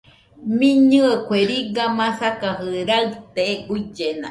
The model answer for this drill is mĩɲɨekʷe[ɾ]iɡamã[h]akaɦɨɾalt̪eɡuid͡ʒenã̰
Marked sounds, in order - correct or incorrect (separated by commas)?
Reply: correct, incorrect